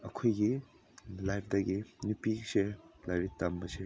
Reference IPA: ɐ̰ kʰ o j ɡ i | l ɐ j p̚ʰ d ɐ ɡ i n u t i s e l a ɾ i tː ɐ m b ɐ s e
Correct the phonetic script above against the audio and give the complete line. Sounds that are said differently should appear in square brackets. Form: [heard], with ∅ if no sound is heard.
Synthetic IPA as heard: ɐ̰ kʰ o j ɡ i | l [a] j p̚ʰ d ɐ ɡ i n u [p] i s e l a ɾ i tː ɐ m b ɐ s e